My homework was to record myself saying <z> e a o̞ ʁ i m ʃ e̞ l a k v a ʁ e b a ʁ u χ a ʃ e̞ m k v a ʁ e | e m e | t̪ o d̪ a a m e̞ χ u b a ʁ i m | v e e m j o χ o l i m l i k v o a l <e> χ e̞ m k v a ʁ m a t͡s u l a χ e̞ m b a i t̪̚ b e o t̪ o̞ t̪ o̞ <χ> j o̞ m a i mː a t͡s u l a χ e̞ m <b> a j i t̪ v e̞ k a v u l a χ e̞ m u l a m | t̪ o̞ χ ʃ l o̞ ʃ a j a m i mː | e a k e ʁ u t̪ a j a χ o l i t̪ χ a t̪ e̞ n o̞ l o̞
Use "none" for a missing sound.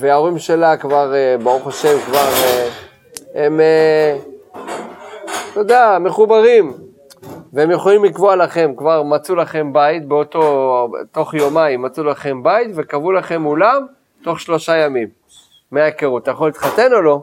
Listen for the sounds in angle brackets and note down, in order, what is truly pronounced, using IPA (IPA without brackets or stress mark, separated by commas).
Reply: v, a, χ, b